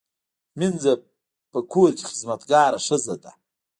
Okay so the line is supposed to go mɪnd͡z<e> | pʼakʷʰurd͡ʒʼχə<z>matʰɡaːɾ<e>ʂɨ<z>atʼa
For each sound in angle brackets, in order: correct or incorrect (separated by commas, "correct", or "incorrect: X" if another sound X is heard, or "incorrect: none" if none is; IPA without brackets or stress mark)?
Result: incorrect: a, correct, incorrect: a, correct